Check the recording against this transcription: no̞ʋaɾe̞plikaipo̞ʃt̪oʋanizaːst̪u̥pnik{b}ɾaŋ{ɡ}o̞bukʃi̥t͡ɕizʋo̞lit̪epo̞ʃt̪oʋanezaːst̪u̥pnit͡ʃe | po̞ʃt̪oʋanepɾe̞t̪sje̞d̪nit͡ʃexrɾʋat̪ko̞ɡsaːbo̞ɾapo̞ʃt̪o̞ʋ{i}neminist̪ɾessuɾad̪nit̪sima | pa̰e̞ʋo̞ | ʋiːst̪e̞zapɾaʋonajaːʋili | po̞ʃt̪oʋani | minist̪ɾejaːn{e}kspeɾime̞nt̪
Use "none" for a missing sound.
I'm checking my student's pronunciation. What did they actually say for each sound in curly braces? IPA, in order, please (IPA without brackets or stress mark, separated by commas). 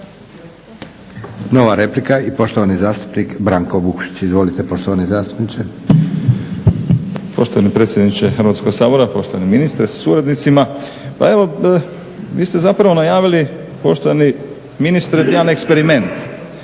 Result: b, k, a, e